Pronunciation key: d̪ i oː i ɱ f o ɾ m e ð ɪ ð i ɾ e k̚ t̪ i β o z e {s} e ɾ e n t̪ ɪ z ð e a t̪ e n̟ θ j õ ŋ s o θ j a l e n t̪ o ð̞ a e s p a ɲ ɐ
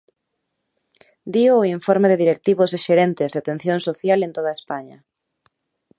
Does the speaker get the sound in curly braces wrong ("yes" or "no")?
yes